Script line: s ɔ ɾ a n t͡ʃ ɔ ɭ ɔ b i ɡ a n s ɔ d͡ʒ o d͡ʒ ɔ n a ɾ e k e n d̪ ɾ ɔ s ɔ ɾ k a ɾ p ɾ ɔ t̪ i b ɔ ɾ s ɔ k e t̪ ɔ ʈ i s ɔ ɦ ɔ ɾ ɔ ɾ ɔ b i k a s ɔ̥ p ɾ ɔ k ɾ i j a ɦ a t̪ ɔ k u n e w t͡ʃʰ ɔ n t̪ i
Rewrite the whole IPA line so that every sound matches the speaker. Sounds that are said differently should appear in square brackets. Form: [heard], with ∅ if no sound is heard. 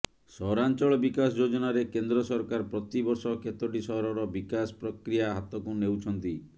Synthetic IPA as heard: s ɔ ɾ a n t͡ʃ ɔ ɭ ɔ b i [k] a [∅] s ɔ d͡ʒ o d͡ʒ ɔ n a ɾ e k e n d̪ ɾ ɔ s ɔ ɾ k a ɾ p ɾ ɔ t̪ i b ɔ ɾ s ɔ k e t̪ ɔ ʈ i s ɔ ɦ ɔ ɾ ɔ ɾ ɔ b i k a s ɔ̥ p ɾ ɔ k ɾ i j a ɦ a t̪ ɔ k u n e w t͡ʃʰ ɔ n t̪ i